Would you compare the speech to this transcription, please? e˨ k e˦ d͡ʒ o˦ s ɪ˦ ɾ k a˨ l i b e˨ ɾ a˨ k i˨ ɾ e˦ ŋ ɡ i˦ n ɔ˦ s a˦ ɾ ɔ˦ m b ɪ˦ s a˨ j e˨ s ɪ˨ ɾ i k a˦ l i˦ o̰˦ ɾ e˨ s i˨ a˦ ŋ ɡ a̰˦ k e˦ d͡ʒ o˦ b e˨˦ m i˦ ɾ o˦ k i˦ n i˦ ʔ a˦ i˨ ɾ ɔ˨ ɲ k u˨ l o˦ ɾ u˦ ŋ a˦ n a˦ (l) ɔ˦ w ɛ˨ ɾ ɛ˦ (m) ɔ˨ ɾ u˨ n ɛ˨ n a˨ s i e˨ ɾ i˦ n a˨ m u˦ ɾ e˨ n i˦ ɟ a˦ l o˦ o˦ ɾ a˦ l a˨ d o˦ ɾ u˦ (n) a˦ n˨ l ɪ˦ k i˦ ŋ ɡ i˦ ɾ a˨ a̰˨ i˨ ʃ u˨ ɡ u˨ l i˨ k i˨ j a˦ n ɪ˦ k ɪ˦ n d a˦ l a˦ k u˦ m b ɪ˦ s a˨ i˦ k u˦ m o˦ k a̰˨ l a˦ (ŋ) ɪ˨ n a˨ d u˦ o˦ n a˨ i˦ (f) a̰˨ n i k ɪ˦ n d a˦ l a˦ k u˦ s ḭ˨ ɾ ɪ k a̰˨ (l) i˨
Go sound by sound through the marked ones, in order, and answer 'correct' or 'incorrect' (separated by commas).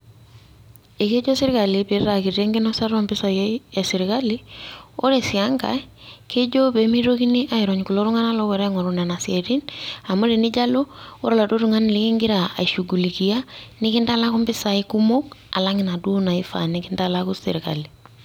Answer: correct, incorrect, incorrect, correct, correct, correct